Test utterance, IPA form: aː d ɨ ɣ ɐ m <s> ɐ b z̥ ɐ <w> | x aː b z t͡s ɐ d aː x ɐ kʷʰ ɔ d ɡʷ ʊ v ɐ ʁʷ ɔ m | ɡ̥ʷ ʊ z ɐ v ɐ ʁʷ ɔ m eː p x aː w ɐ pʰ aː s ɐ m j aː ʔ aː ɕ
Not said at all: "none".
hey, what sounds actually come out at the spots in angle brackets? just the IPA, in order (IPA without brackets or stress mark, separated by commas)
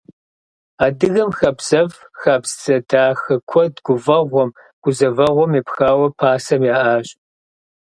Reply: x, v